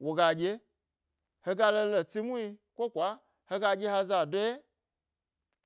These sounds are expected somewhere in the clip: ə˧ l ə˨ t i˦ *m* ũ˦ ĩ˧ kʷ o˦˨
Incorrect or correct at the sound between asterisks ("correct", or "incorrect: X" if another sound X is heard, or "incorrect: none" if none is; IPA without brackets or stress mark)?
correct